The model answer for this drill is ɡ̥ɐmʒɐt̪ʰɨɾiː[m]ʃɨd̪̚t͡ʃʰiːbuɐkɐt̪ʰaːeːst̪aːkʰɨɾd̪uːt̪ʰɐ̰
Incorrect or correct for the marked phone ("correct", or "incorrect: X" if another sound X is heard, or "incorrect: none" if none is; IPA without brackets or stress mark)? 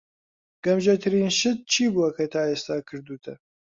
incorrect: n